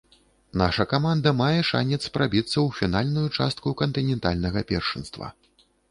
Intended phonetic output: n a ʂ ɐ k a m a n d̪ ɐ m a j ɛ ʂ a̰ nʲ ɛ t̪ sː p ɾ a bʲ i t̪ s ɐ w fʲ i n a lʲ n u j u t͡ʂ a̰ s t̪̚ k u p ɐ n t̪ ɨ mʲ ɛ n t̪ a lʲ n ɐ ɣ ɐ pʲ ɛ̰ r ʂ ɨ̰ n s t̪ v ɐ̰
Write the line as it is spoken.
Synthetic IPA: n a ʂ ɐ k a m a n d̪ ɐ m a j ɛ ʂ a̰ nʲ ɛ t̪ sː p ɾ a bʲ i t̪ sː ɐ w fʲ i n a lʲ n u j u t͡ʂ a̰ s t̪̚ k u k ɐ n t̪ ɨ nʲ ɛ n t̪ a lʲ n ɐ ɣ ɐ pʲ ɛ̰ r ʂ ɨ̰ n s t̪ v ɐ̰

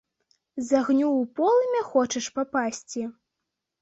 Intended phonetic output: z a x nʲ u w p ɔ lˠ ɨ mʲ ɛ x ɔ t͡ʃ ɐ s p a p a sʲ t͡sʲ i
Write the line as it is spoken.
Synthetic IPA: z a ɣ nʲ u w p ɔ lˠ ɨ mʲ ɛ x ɔ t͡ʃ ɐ ʂ p a p a sʲ t͡sʲ i

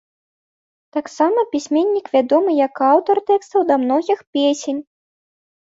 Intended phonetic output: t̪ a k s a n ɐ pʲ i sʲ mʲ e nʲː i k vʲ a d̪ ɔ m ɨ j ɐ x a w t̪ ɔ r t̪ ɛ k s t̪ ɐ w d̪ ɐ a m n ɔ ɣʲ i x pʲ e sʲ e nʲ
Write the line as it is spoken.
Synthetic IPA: t̪ a k s a m ɐ pʲ i sʲ mʲ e nʲː i k vʲ a d̪ ɔ m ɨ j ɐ k a w t̪ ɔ r t̪ ɛ k s t̪ ɐ w d̪ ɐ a m n ɔ ɣʲ i x pʲ e sʲ e nʲ

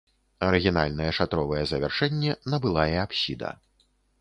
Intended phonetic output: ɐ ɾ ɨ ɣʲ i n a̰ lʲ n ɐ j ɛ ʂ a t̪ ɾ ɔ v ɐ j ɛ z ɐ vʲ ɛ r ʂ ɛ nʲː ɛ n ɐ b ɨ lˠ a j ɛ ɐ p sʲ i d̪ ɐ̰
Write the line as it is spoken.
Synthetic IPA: ɐ ɾ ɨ ɣʲ i n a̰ lʲ n ɐ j ɛ ʂ a t̪ ɾ ɔ v ɐ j ɛ z ɐ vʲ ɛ r ʂ ɛ nʲː ɛ n ɐ b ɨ lˠ a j ɛ a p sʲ i d̪ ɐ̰

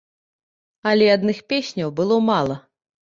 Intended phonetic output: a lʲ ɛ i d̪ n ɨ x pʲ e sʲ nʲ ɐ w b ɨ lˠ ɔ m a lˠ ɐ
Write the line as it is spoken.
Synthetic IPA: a lʲ ɛ a d̪ n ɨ x pʲ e sʲ nʲ ɐ w b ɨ lˠ ɔ m a lˠ ɐ

